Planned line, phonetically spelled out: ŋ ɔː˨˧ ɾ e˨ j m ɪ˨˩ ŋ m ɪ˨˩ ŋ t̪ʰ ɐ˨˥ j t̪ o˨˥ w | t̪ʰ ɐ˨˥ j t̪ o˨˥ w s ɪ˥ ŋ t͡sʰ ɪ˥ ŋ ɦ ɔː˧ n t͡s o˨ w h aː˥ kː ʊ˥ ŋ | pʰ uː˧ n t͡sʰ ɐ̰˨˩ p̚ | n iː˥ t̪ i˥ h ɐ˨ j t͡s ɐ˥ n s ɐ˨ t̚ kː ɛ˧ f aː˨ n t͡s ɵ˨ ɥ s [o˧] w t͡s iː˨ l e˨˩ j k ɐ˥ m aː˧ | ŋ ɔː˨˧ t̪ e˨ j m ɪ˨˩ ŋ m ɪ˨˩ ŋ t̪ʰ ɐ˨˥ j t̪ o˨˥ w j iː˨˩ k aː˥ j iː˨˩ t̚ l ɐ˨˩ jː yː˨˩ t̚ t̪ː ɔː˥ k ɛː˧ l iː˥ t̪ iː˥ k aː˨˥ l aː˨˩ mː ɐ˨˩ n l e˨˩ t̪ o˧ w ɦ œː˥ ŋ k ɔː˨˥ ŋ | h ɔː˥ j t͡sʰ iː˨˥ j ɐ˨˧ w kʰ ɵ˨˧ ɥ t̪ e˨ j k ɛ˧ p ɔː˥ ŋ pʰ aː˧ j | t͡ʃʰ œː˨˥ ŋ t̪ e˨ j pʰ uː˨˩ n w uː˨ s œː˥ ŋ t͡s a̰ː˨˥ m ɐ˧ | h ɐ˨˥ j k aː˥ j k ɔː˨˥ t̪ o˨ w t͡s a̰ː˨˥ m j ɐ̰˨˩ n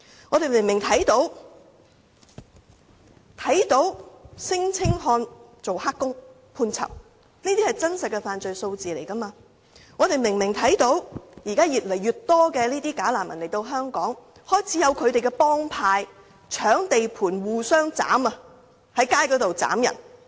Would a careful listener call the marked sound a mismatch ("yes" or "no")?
no